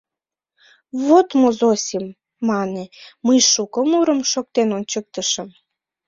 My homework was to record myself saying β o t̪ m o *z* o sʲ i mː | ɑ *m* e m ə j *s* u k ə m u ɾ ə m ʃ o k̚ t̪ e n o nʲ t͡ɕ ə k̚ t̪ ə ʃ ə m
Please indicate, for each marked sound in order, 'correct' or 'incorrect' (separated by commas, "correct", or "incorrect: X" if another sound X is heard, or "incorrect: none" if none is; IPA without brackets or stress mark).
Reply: correct, incorrect: n, incorrect: ʃ